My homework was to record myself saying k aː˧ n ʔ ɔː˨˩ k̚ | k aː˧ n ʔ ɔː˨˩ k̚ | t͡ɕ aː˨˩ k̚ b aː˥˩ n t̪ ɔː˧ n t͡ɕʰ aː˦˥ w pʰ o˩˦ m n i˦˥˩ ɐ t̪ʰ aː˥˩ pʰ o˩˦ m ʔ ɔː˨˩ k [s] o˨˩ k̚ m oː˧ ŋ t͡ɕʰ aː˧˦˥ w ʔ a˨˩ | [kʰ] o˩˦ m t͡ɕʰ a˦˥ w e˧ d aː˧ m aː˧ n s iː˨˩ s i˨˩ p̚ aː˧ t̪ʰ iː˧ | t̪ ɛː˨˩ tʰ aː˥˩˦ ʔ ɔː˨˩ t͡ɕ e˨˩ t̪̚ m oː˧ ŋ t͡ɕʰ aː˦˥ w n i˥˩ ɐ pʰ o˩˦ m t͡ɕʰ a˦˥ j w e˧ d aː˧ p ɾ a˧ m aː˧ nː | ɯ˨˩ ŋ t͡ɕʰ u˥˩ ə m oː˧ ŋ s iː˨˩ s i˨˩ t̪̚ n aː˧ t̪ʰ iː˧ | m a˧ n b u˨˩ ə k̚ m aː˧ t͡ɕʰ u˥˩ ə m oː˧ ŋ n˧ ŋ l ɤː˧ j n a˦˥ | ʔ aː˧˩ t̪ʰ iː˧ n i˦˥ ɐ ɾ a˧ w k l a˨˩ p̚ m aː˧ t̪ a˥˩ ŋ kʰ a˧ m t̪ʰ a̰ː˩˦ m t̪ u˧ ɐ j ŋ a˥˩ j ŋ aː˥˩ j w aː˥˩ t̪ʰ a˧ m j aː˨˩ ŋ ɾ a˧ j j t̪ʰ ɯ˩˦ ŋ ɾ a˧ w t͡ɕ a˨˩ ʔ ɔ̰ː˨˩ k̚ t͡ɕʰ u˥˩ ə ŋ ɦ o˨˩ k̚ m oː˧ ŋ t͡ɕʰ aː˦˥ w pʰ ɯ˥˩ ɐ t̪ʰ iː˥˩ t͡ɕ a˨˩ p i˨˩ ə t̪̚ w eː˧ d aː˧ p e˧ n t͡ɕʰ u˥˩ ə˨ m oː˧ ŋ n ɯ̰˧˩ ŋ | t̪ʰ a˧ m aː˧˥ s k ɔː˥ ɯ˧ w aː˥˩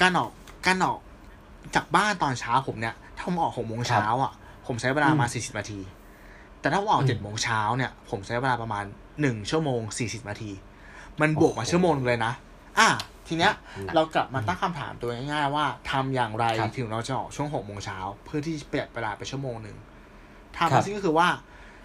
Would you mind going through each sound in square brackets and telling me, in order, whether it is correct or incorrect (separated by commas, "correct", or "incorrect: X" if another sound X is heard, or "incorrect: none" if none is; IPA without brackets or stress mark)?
incorrect: h, incorrect: pʰ